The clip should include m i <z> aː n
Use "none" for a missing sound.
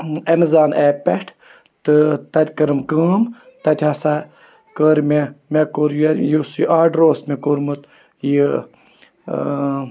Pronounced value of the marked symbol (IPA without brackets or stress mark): z